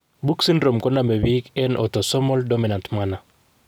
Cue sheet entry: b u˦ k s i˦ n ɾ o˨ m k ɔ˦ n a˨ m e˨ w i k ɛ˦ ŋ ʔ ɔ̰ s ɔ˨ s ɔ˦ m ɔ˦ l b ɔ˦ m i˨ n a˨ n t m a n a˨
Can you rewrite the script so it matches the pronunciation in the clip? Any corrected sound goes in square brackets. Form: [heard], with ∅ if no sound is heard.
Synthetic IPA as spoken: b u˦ k s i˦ n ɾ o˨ m k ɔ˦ n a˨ m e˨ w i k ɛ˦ [n] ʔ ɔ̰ [t] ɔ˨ s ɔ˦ m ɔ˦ l [d] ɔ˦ m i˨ n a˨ n t m a n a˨

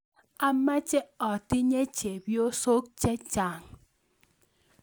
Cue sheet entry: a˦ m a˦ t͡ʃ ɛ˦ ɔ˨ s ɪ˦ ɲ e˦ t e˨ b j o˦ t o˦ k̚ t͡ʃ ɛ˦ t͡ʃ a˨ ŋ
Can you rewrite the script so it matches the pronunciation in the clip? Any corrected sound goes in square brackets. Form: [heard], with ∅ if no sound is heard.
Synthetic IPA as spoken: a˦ m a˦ t͡ʃ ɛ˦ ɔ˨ [t] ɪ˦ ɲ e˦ [t͡ʃ] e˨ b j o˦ [s] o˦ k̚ t͡ʃ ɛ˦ t͡ʃ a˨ ŋ

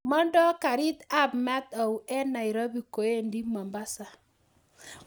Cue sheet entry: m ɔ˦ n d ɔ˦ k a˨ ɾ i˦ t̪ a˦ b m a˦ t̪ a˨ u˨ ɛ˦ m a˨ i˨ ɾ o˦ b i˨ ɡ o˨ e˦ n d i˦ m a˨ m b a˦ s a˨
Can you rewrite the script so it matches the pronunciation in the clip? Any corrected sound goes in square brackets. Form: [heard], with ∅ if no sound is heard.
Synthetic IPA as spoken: m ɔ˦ n d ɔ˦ k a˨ ɾ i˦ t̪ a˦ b m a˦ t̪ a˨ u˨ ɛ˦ [n] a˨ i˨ ɾ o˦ b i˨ [k] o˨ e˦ n d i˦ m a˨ m b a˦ s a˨

